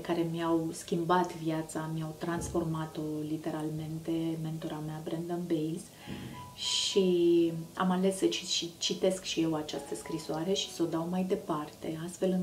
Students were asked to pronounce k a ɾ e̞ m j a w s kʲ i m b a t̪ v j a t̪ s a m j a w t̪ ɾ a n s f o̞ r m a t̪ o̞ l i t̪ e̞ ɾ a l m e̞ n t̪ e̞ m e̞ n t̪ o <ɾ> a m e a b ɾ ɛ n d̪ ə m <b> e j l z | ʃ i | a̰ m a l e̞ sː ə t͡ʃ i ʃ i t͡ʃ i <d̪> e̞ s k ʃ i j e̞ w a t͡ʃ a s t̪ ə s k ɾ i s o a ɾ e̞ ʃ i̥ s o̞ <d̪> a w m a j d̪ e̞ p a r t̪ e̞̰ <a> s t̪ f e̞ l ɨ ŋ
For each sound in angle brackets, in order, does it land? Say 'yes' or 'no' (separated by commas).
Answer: yes, yes, no, yes, yes